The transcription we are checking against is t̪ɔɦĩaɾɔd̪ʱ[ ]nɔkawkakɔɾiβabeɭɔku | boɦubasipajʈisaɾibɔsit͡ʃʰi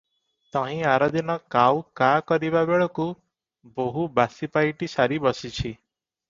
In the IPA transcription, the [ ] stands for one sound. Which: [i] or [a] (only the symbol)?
i